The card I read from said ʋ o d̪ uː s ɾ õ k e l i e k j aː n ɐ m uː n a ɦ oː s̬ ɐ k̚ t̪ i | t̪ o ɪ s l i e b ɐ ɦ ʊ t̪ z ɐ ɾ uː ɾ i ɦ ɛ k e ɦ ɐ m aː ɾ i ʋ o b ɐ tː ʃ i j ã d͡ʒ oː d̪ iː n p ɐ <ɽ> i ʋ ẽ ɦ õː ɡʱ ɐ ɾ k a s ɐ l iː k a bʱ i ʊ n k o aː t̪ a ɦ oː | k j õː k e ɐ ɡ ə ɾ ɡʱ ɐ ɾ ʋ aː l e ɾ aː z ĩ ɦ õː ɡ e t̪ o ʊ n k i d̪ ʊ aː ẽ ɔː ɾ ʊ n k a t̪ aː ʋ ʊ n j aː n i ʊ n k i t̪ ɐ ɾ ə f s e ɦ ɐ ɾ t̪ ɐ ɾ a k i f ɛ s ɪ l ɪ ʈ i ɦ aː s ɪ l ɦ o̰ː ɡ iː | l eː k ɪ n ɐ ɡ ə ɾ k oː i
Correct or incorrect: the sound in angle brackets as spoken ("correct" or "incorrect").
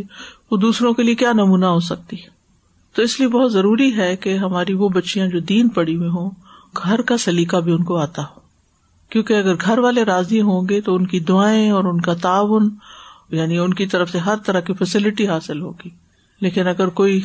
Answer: correct